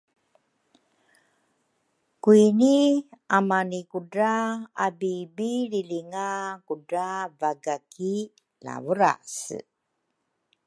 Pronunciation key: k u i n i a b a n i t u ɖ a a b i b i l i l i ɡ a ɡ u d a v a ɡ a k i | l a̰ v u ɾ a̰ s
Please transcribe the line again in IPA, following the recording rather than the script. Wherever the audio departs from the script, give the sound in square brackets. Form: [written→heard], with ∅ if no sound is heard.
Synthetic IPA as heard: k u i n i a [b→m] a n i [t→k] u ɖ a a b i b i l i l i [ɡ→ŋ] a [ɡ→k] u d a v a ɡ a k i | l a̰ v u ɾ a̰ s